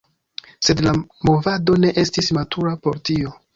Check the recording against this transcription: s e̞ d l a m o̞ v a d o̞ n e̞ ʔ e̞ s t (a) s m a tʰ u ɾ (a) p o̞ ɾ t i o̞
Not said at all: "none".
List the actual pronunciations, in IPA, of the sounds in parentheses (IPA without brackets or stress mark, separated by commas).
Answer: i, a